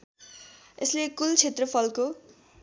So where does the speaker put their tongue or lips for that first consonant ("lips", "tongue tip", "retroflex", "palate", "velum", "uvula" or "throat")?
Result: tongue tip